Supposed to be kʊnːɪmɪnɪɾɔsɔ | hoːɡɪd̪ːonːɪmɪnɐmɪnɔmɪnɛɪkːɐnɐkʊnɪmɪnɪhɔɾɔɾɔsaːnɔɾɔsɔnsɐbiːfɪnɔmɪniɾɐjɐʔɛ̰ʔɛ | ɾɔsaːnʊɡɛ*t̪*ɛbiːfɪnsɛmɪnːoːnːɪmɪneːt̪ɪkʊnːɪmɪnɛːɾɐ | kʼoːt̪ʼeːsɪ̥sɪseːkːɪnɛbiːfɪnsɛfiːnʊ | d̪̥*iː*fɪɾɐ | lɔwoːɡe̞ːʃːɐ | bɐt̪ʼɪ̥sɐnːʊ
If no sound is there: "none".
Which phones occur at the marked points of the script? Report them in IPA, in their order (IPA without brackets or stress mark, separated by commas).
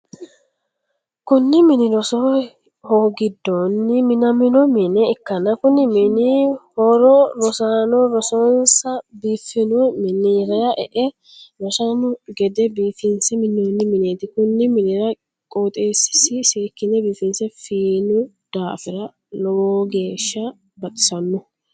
d̪, aː